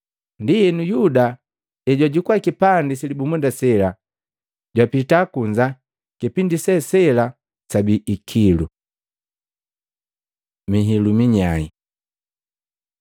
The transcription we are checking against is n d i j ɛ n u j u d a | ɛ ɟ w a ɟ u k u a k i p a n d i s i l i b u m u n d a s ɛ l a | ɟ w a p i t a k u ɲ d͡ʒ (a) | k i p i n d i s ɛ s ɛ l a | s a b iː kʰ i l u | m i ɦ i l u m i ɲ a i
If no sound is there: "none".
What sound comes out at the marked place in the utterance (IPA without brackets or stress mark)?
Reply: a